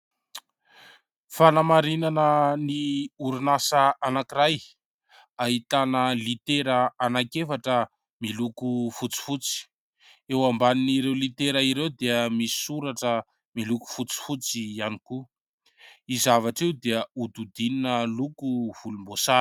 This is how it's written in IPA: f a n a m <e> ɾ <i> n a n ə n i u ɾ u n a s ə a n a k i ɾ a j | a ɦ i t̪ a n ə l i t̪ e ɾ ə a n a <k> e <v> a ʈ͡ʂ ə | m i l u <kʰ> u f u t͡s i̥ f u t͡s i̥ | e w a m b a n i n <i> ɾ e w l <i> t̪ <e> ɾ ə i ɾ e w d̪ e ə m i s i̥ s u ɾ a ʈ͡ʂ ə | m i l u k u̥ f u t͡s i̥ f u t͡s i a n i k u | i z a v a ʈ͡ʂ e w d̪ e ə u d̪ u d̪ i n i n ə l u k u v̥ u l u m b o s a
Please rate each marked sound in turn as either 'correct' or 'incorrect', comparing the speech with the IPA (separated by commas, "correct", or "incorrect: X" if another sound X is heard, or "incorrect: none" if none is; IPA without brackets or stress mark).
incorrect: a, correct, correct, incorrect: f, incorrect: k, correct, correct, correct